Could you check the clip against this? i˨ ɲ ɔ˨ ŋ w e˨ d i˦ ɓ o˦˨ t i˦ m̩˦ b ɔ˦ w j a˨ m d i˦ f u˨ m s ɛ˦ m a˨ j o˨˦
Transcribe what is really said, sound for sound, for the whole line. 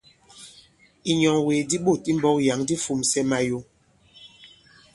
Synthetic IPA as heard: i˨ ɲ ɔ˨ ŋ w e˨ d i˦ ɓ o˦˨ t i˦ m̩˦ b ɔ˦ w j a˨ ŋ d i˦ f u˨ m s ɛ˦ m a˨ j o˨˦